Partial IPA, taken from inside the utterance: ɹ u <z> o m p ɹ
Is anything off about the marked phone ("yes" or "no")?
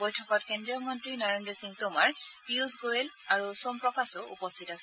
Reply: yes